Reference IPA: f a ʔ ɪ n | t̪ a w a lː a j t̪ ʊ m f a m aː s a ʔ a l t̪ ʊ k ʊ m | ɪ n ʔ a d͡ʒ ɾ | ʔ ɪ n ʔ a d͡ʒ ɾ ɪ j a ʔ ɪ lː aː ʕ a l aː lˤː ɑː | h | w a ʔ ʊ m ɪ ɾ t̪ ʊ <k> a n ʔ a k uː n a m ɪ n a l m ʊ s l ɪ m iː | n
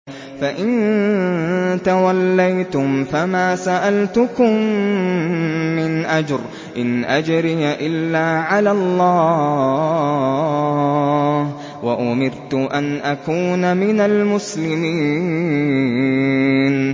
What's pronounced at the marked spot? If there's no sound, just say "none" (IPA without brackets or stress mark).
ʔ